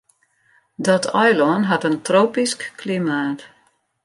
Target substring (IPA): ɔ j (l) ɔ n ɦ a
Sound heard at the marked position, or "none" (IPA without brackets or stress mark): l